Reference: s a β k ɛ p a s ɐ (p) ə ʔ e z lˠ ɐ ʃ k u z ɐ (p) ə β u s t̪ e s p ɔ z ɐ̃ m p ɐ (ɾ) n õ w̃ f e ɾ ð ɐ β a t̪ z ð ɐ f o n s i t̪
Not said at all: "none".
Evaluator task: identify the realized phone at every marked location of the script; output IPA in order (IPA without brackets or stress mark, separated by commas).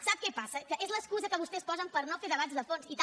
k, k, ɾ